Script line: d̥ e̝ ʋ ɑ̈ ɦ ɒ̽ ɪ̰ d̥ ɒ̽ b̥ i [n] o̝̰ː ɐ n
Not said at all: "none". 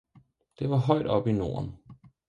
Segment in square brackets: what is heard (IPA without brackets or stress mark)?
n